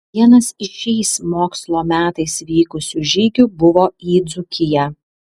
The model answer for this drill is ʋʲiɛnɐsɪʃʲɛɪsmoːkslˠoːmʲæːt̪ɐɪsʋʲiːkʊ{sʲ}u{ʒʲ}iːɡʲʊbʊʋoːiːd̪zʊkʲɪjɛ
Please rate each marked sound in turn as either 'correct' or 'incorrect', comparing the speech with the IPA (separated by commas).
correct, correct